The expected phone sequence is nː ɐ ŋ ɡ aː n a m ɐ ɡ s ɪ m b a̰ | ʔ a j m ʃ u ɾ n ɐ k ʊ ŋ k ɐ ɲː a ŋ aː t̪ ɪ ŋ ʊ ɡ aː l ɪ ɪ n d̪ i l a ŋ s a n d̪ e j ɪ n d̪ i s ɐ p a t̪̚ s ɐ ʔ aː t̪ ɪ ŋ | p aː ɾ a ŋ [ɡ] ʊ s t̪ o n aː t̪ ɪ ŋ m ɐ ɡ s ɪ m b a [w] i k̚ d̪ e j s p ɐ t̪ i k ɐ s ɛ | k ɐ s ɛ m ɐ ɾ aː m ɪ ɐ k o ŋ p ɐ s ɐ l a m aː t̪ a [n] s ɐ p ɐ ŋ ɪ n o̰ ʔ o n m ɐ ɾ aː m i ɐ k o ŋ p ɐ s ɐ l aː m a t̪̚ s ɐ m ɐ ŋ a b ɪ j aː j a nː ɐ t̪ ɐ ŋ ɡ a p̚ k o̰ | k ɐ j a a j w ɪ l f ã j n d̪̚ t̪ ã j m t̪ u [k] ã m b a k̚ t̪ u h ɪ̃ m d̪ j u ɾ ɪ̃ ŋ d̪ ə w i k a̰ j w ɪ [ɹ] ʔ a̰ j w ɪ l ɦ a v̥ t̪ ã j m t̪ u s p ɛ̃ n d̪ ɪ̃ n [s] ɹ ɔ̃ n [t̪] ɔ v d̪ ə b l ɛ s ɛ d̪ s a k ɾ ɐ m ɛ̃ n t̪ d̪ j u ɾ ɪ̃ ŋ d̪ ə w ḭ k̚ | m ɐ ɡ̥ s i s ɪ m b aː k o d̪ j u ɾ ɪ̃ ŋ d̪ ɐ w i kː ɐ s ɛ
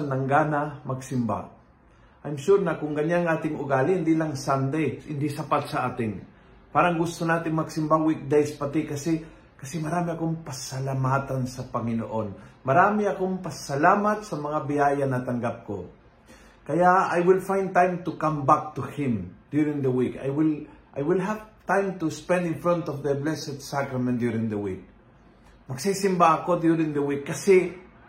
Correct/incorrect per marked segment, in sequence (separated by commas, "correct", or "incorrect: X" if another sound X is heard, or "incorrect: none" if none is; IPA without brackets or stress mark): correct, correct, correct, correct, incorrect: l, incorrect: f, correct